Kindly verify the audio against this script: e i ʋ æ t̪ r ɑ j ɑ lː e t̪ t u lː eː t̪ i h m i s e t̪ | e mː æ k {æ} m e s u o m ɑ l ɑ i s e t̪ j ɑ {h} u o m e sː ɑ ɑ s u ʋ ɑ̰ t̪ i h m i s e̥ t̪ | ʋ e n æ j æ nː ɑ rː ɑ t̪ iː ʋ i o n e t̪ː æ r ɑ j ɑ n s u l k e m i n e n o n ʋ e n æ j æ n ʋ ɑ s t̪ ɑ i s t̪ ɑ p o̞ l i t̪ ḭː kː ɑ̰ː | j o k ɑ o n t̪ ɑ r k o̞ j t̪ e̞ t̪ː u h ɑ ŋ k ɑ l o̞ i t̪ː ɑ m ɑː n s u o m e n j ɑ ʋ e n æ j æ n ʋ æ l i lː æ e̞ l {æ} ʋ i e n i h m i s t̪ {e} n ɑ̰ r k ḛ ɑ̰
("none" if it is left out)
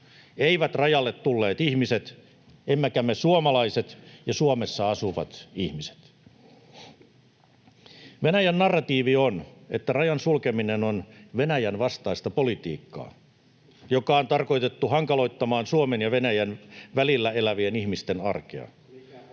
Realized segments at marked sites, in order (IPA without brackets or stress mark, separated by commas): æ, s, æ, e